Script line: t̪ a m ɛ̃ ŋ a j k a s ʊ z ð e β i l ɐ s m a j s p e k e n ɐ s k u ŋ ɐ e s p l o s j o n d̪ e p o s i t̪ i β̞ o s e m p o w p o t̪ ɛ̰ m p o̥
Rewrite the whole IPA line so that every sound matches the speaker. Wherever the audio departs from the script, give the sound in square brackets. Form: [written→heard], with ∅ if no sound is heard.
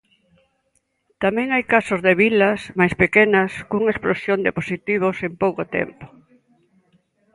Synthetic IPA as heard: t̪ a m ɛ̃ ŋ a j k a s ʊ z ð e β i l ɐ s m a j s p e k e n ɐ s k u ŋ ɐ e s p l o s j o n d̪ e p o s i t̪ i β̞ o s e m p o w [p→k] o t̪ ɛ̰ m p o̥